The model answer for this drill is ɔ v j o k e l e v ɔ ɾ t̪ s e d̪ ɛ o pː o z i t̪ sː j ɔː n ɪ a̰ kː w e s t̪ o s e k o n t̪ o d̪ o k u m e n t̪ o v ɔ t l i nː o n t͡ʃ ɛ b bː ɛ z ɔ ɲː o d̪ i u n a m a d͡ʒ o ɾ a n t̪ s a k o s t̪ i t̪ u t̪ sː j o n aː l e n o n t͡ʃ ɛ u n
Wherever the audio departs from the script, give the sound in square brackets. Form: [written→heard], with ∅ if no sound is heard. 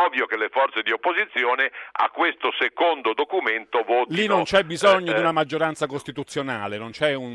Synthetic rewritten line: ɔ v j o k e l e [v→f] ɔ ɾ t̪ s e d̪ [ɛ→i] o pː o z i t̪ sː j ɔː n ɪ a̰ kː w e s t̪ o s e k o n [t̪→d̪] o d̪ o k u m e n t̪ o v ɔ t l i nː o n t͡ʃ ɛ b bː [ɛ→i] z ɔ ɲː o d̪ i u n a m a [d͡ʒ→d͡ʒː] o ɾ a n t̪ s a k o s t̪ i t̪ u t̪ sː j o n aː l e n o n t͡ʃ ɛ u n